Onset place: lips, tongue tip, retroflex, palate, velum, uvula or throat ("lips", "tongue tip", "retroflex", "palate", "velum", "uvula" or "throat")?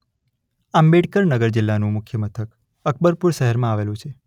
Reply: lips